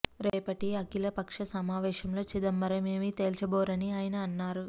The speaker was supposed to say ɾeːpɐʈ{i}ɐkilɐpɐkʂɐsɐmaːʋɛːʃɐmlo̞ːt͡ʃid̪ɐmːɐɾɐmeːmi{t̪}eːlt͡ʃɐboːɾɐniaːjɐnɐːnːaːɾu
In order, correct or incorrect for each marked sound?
correct, correct

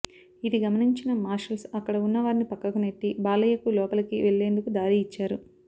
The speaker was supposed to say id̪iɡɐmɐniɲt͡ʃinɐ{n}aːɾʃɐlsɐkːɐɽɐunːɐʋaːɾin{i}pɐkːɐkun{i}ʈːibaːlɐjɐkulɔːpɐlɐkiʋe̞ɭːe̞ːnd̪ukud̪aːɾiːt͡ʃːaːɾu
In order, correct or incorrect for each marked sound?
incorrect: m, correct, incorrect: e

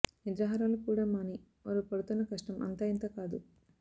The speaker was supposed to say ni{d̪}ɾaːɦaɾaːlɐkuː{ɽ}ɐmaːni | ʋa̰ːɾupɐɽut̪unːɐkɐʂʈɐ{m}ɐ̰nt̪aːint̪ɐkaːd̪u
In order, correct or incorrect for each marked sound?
correct, correct, correct

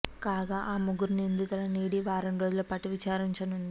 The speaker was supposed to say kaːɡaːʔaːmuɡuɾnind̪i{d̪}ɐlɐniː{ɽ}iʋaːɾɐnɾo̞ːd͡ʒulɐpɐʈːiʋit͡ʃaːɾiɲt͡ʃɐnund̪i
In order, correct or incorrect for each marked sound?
incorrect: t̪, correct

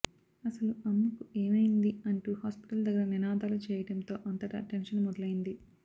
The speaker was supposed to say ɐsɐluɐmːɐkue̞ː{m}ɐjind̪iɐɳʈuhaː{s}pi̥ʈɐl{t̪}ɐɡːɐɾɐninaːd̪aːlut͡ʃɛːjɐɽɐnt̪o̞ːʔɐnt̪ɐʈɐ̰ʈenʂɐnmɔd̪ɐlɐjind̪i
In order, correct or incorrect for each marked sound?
correct, correct, incorrect: d̪

